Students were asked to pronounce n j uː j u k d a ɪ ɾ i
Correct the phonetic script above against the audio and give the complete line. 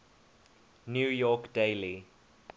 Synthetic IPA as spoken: n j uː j ɔ k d e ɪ l i

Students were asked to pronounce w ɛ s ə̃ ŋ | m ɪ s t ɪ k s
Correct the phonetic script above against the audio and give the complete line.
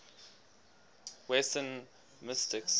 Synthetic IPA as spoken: w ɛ s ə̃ n | m ɪ s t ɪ k s

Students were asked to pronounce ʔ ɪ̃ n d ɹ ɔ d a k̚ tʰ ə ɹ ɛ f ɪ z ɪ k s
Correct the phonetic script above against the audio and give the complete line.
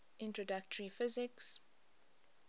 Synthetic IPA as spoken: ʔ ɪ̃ n t ɹ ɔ d a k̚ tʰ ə ɹ i f ɪ z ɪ k s

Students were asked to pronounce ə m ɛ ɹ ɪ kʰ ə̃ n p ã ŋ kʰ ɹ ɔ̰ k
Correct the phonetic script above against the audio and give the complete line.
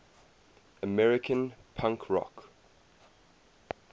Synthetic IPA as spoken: ə m ɛ ɹ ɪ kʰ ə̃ n pʰ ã ŋ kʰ ɹ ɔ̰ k

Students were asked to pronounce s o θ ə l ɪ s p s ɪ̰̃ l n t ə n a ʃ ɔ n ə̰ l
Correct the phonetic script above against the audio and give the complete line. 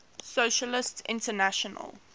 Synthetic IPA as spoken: s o ʃ ə l ɪ s t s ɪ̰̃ n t ə n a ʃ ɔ n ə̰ l

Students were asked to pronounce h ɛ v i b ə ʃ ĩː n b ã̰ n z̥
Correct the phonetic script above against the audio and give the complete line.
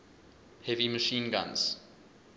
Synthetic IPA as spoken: h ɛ v i m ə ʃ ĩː n ɡ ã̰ n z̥

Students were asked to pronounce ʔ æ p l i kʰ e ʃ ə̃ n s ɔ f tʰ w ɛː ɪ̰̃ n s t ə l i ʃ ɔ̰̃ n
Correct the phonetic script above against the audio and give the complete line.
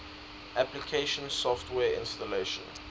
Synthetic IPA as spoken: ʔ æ p l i kʰ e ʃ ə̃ n s ɔ f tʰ w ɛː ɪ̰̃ n s t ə l e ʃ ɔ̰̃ n

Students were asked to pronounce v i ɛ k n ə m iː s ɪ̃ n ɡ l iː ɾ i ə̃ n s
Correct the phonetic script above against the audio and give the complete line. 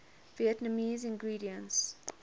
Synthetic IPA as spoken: v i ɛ t n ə m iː z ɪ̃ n ɡ ɹ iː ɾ i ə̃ n s

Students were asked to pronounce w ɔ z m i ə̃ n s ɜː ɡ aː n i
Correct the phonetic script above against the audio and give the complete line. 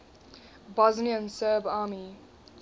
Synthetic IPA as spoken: b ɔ z n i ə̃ n s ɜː b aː m i

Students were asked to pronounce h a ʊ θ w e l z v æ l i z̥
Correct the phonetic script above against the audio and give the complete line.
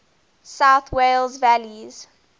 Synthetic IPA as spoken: s a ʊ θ w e l z v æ l i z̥

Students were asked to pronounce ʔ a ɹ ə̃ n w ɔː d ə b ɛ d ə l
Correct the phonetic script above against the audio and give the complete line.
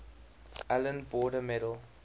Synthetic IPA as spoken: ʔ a l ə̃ n b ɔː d ə m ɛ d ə l

